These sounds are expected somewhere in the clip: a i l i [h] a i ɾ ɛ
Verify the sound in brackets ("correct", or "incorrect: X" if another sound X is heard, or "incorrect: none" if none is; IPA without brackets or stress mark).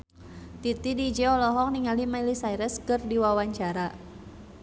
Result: incorrect: s